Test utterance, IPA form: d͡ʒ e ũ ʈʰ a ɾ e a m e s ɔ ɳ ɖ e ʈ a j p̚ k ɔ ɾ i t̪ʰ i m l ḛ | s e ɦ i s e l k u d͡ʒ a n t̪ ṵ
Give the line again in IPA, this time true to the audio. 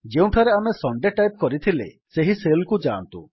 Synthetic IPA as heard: d͡ʒ e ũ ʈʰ a ɾ e a m e s ɔ ɳ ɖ e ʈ a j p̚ k ɔ ɾ i t̪ʰ i l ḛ | s e ɦ i s e l k u d͡ʒ a n t̪ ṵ

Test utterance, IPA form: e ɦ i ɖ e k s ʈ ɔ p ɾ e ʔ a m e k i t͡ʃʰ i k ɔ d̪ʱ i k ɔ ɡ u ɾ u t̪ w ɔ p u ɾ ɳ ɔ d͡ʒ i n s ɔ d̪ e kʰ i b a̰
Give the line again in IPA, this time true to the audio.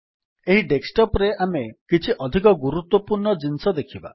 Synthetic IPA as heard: e ɦ i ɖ e k s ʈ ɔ p ɾ e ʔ a m e k i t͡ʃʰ i ʔ ɔ d̪ʱ i k ɔ ɡ u ɾ u t̪ w ɔ p u ɾ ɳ ɔ d͡ʒ i n s ɔ d̪ e kʰ i b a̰

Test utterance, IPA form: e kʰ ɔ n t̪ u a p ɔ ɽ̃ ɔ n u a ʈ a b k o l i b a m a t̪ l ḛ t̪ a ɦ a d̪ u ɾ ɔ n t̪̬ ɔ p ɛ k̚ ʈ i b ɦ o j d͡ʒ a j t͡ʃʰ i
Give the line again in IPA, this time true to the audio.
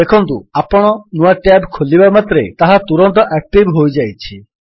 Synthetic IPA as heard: e kʰ ɔ n t̪ u a p ɔ ɽ̃ ɔ n u a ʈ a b kʰ o l i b a m a t̪ ɾ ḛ t̪ a ɦ a t̪ u ɾ ɔ n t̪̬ ɔ ʔ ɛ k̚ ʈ i b ɦ o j d͡ʒ a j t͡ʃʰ i

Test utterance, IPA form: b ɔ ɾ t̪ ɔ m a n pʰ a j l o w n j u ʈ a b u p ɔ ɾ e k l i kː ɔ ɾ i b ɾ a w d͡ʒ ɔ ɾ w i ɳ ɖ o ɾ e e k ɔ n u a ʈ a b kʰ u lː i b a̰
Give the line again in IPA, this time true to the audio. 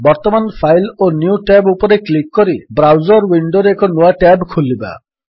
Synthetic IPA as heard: b ɔ ɾ t̪ ɔ m a n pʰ a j l o n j u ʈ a b u p ɔ ɾ e k l i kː ɔ ɾ i b ɾ a w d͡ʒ ɔ ɾ w i ɳ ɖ o ɾ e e k ɔ n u a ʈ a b kʰ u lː i b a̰

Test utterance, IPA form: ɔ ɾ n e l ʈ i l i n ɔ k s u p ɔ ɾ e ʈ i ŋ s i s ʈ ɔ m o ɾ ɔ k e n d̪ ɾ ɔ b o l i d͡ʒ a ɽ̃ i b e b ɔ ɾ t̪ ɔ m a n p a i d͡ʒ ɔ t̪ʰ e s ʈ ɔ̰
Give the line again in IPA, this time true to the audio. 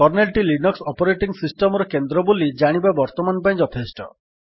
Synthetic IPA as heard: ɔ ɾ n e l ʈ i l i n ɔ k s ɔ p ɔ ɾ e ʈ i ŋ s i s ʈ ɔ m ɔ ɾ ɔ k e n d̪ ɾ ɔ b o l i d͡ʒ a ɽ̃ i b a b ɔ ɾ t̪ ɔ m a n p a ĩ d͡ʒ ɔ t̪ʰ e s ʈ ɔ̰

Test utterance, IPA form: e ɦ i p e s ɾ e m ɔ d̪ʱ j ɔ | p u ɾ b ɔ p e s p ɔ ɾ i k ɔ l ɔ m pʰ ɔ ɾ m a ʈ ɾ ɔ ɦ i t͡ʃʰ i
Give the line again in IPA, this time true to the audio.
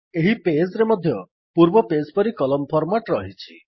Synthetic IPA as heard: e ɦ i p e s ɾ e m ɔ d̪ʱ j ɔ | p u ɾ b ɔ p e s p ɔ ɾ i k ɔ l ɔ m pʰ ɔ ɾ m a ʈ ɾ ɔ ɦ i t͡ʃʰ i

